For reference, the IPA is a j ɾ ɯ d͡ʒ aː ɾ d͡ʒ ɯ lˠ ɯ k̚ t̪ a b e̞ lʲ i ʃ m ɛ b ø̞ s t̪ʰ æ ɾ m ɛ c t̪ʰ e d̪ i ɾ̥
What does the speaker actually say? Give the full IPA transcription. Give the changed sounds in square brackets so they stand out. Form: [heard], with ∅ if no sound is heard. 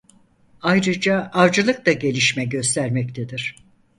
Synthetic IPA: a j ɾ ɯ d͡ʒ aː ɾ d͡ʒ ɯ lˠ ɯ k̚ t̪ a [ɟ] e̞ lʲ i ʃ m ɛ [ɟ] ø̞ s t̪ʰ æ ɾ m ɛ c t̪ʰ e d̪ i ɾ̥